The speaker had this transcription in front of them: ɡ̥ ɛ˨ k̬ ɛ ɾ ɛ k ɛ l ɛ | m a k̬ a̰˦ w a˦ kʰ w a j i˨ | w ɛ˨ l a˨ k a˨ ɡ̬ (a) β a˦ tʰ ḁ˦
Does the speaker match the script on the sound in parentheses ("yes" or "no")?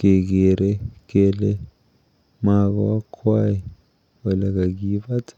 no